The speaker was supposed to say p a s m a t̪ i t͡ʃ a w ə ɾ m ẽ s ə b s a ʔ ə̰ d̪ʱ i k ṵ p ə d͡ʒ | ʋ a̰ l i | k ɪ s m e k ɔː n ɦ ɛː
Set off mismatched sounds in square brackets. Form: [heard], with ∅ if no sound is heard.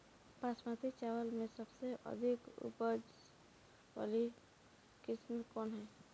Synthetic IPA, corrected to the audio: p a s m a t̪ i t͡ʃ a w ə [l] m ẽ s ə b s [e] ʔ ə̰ d̪ʱ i k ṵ p ə d͡ʒ | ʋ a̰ l i | k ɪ s m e k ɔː n ɦ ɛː

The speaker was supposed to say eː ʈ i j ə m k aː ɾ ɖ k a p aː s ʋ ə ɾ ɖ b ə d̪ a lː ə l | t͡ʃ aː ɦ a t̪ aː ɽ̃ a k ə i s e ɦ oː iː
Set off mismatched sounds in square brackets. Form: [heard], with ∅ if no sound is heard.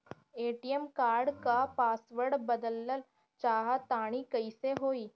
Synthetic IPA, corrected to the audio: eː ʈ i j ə m k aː ɾ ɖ k a p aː s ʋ ə ɾ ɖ b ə d̪ [ə] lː ə l | t͡ʃ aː ɦ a t̪ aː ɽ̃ [i] k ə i s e ɦ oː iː

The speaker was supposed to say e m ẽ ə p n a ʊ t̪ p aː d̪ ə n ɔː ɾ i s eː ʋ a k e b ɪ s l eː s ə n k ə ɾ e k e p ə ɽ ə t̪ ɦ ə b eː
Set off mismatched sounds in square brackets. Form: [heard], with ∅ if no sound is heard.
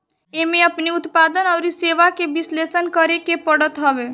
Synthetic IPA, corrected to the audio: e m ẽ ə p n [i] ʊ t̪ p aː d̪ ə n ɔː ɾ i s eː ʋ a k e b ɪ s l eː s ə n k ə ɾ e k e p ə ɽ ə t̪ ɦ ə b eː

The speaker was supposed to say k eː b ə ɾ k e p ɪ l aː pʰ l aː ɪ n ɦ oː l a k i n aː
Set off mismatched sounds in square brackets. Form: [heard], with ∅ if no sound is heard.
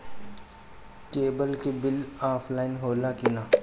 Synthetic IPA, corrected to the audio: k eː b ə [l] k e [b] ɪ l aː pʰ l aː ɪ n ɦ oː l a k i n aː

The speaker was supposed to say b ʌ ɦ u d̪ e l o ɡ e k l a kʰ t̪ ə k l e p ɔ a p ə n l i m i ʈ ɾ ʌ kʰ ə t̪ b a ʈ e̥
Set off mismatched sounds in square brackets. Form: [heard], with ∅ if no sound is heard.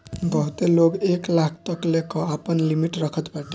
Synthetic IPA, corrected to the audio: b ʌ ɦ u [t̪] e l o ɡ e k l a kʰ t̪ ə k l e [k] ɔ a p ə n l i m i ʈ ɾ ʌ kʰ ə t̪ b a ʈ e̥

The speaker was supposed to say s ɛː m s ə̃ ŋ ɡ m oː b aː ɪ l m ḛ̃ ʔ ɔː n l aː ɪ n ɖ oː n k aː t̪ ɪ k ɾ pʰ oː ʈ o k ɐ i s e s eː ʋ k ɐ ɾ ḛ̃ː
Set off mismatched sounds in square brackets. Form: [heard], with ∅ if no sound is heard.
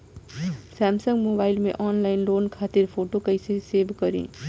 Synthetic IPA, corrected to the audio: s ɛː m s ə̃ ŋ ɡ m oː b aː ɪ l m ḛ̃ ʔ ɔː n l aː ɪ n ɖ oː n [kʰ] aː t̪ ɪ [∅] ɾ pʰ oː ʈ o k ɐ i s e s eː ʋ k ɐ ɾ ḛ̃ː

